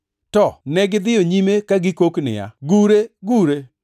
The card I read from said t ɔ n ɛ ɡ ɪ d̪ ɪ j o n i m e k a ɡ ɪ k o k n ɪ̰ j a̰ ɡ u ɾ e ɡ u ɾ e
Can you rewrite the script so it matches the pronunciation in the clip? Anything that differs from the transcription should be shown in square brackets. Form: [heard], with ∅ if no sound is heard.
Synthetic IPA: t ɔ n ɛ ɡ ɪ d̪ ɪ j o [ɲ] i m e k a ɡ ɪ k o k n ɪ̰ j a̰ ɡ u ɾ e ɡ u ɾ e